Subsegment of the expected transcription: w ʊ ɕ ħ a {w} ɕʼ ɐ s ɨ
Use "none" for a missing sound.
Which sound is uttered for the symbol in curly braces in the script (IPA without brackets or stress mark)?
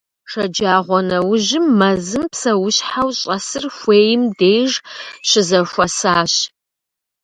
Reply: w